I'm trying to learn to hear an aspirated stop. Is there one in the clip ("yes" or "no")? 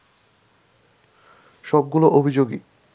no